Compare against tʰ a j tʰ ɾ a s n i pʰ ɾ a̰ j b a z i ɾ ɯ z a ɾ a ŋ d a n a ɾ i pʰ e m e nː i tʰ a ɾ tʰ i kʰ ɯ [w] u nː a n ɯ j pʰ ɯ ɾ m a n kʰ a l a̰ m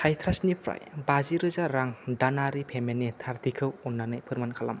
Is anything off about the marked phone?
no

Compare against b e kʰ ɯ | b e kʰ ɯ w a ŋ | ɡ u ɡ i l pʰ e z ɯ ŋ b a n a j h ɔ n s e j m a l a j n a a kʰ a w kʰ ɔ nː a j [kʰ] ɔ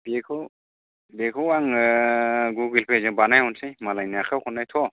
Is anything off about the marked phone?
yes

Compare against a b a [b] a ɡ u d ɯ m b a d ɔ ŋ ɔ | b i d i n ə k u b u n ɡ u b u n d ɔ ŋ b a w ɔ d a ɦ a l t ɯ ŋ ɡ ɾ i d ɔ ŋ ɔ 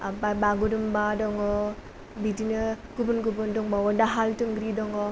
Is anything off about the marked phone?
no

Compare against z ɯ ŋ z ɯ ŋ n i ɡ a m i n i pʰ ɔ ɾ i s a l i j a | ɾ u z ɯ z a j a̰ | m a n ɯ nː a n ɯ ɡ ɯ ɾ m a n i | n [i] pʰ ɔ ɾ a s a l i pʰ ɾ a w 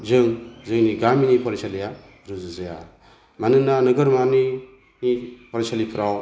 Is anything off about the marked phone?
no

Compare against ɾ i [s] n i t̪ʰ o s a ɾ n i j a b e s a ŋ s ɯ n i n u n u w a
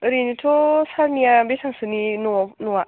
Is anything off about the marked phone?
yes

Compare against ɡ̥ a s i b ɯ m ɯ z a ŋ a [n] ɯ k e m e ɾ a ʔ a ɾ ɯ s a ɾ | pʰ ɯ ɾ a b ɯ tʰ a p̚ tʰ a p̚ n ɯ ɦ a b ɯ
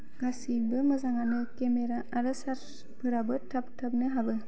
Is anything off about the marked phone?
no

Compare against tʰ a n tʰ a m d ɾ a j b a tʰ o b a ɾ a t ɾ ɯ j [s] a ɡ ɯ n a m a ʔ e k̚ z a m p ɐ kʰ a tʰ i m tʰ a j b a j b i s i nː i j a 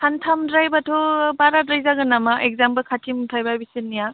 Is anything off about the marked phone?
yes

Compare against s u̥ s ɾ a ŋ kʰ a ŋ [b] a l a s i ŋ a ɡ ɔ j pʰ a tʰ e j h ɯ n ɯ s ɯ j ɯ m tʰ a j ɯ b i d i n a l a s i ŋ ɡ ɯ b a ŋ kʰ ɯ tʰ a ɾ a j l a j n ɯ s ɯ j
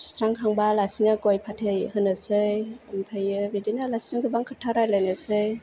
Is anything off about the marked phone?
no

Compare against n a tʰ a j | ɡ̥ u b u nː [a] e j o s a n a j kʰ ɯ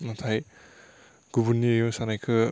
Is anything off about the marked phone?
yes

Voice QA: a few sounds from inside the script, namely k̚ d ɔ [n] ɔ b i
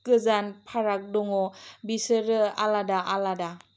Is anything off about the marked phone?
yes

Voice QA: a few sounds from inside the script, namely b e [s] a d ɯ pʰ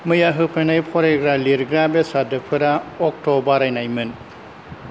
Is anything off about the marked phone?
no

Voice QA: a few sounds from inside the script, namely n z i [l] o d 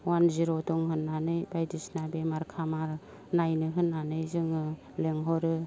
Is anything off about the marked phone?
yes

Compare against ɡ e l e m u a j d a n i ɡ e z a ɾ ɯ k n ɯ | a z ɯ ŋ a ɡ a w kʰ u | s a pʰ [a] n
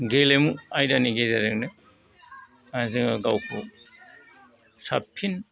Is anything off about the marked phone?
yes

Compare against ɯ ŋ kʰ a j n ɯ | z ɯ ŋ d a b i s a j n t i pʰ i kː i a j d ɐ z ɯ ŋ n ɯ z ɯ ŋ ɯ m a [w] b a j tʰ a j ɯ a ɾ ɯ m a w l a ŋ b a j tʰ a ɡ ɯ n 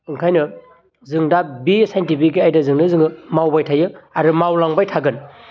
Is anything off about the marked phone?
no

